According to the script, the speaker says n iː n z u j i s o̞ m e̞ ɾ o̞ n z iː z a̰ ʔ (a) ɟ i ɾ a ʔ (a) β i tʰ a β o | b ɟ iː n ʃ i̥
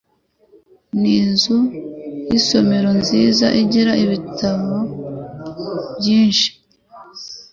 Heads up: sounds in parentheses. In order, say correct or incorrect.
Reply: incorrect: i, incorrect: i

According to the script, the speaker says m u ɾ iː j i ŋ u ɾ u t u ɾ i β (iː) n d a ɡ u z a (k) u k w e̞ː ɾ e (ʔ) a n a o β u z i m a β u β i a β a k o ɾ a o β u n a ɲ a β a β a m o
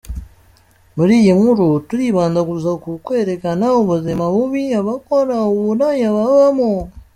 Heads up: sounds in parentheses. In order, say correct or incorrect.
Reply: incorrect: aː, correct, incorrect: k

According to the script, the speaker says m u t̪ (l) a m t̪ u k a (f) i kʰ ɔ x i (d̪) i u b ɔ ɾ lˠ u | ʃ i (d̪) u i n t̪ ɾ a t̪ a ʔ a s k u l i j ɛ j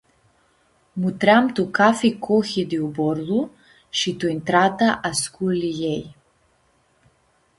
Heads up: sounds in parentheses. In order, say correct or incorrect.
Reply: incorrect: ɾ, correct, correct, incorrect: t̪

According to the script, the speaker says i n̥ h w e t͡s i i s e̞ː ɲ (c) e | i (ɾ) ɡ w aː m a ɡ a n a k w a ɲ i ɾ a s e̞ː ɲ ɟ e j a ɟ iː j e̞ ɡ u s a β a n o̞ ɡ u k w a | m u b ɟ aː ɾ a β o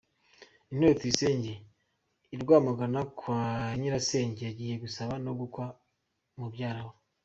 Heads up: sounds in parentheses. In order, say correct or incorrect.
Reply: incorrect: ɟ, correct

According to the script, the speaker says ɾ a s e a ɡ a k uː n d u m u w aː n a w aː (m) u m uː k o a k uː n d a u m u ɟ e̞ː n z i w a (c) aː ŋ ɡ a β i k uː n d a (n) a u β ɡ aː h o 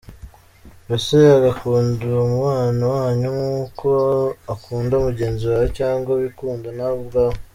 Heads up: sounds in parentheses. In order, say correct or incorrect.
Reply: incorrect: ɲ, correct, correct

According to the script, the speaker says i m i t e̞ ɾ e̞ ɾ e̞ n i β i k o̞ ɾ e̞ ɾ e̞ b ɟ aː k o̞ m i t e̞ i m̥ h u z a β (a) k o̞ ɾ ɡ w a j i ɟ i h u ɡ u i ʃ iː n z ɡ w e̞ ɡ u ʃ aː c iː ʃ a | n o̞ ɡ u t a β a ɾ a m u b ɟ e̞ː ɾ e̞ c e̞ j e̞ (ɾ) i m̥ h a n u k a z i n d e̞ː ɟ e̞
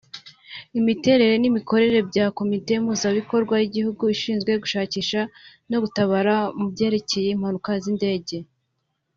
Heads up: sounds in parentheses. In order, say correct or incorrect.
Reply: incorrect: i, incorrect: none

